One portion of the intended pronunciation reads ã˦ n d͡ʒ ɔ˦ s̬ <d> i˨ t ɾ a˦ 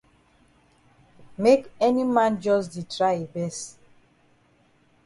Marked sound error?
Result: no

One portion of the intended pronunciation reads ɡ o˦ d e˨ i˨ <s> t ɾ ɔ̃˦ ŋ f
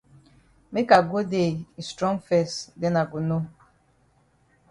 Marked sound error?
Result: no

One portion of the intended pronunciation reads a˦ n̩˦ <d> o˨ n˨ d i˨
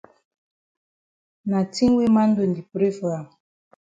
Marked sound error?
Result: no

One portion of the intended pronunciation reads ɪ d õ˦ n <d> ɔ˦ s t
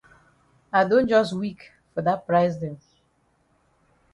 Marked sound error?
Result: yes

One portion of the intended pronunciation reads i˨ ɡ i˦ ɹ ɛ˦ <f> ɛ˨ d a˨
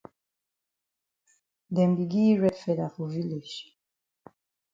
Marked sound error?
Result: no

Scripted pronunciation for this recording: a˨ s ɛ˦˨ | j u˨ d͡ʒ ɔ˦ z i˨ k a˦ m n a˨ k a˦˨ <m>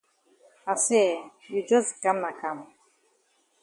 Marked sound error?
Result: no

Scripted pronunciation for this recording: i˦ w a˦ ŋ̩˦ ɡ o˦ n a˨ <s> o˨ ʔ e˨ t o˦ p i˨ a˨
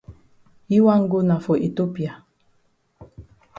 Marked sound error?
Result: yes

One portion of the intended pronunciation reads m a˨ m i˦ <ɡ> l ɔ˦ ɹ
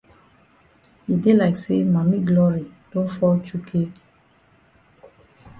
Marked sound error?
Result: no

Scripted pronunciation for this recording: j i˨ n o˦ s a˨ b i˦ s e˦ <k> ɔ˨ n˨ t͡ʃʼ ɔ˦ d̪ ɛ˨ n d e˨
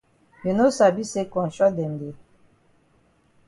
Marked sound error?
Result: no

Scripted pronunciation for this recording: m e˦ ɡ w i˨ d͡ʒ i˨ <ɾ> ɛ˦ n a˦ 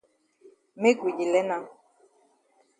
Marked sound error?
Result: yes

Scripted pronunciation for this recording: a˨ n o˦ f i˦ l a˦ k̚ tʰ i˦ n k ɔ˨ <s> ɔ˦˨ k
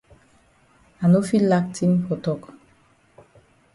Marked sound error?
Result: yes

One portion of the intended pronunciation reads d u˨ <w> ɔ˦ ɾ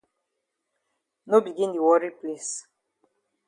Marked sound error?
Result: no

